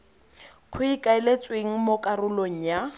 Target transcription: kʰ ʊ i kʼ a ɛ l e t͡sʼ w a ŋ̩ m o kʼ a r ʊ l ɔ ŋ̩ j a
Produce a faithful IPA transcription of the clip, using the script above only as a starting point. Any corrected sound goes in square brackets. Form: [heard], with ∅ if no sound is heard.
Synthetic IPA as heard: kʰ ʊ i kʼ a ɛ l e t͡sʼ w [e] ŋ̩ m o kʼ a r ʊ l [o] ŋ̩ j a